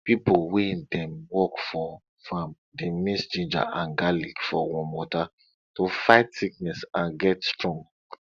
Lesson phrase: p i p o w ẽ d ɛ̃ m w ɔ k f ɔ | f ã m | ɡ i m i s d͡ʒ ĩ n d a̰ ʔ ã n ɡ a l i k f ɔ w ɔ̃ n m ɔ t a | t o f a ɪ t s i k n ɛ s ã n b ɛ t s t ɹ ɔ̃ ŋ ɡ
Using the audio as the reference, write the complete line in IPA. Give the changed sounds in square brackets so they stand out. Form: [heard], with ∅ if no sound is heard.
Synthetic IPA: p i p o w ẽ d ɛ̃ m w ɔ k f ɔ | f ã m | [d] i m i s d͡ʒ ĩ n [d͡ʒ] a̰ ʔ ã n ɡ a l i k f ɔ w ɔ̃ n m ɔ t a | t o f a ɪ t s i k n ɛ s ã n [ɡ] ɛ t s t ɹ ɔ̃ ŋ ɡ